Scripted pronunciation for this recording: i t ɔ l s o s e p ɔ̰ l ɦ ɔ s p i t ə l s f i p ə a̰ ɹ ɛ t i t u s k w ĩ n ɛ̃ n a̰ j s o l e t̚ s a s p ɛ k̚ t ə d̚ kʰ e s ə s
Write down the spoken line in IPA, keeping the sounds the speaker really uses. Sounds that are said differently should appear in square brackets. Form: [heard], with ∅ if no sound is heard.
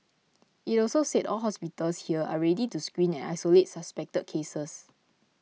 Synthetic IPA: i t ɔ l s o s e [t] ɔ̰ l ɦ ɔ s p i t ə l s [h] i [∅] ə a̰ ɹ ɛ [d] i t u s k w ĩ n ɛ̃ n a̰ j s o l e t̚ s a s p ɛ k̚ t ə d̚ kʰ e s ə s